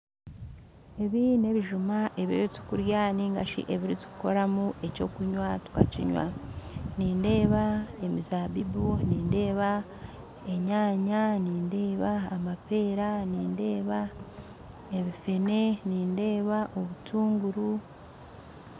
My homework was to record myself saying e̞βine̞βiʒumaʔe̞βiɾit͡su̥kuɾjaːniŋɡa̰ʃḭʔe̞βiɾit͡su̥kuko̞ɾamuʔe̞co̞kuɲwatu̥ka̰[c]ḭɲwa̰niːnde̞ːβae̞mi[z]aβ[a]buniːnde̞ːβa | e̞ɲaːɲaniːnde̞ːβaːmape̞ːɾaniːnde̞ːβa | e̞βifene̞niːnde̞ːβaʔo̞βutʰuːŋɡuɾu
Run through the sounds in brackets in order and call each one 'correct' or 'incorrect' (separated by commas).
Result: correct, correct, incorrect